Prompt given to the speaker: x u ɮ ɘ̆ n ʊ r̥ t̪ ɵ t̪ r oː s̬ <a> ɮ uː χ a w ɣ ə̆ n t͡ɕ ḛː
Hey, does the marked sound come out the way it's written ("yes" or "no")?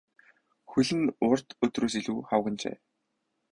no